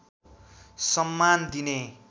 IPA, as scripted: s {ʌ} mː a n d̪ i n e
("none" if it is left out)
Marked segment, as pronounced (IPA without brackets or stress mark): ʌ